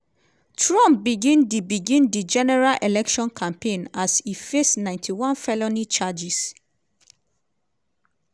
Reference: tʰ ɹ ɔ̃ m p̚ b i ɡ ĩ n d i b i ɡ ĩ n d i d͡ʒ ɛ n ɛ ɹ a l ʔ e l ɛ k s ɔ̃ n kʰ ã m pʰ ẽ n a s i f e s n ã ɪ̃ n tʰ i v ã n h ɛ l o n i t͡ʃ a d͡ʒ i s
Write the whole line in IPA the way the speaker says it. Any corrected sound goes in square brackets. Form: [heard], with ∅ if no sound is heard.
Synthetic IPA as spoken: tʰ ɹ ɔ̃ m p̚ b i ɡ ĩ n d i b i ɡ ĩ n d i d͡ʒ ɛ n ɛ ɹ a l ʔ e l ɛ k [ʃ] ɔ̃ n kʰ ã m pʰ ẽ n a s i f e s n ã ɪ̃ n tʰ i [w] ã n [f] ɛ l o n i t͡ʃ a d͡ʒ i s